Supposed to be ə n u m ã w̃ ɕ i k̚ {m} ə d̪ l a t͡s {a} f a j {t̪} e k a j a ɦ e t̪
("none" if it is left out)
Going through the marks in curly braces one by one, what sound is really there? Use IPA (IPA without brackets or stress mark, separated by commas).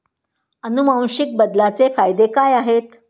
b, e, d̪